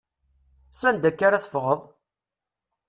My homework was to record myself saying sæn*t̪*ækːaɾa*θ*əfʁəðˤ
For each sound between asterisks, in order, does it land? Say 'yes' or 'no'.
no, yes

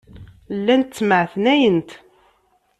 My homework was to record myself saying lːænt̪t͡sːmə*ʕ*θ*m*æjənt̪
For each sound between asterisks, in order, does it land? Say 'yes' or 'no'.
yes, no

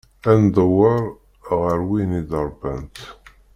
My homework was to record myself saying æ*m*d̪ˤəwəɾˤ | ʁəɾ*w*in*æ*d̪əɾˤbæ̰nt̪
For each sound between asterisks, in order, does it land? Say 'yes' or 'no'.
no, yes, no

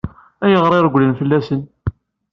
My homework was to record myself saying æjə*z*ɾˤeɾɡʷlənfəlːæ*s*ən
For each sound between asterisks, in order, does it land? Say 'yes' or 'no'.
no, yes

